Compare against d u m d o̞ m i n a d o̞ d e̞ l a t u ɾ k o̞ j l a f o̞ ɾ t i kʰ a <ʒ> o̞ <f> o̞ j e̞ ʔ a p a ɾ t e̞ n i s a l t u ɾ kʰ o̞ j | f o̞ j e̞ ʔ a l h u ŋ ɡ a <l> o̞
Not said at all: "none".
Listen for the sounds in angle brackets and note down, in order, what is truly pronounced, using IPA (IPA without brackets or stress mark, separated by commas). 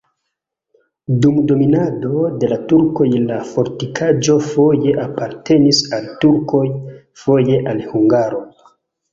d͡ʒ, f, ɾ